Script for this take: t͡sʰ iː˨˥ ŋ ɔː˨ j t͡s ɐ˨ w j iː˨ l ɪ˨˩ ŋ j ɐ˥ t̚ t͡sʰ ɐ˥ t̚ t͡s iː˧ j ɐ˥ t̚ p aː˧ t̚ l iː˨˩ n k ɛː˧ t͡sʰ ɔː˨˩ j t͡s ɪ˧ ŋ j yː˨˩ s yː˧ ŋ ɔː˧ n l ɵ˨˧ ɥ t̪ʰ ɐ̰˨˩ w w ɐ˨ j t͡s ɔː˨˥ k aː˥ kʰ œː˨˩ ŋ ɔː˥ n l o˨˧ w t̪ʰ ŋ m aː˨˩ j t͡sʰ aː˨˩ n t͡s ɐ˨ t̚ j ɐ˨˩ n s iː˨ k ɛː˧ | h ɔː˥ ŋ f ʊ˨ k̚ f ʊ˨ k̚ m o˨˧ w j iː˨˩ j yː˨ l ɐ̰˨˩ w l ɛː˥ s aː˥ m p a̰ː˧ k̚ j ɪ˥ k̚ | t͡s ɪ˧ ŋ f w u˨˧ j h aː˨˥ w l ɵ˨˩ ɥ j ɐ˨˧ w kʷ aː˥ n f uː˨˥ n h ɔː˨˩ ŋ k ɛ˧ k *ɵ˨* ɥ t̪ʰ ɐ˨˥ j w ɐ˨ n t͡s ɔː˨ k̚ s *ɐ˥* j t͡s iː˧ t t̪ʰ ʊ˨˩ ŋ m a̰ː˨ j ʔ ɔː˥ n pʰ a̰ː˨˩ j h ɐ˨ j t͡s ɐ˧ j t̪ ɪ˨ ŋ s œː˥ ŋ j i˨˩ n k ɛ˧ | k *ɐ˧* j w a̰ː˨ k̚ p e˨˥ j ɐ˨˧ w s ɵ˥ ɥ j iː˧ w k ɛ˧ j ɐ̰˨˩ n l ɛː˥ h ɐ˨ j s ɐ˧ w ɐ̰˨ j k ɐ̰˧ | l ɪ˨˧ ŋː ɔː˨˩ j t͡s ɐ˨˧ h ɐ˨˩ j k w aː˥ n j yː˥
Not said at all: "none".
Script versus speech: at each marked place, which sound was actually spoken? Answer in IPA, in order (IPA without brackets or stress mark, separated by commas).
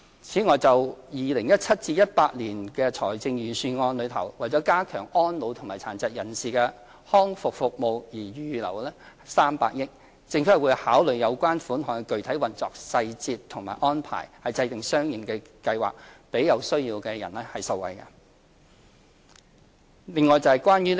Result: ɵ˨, ɐ˧, ɐ˧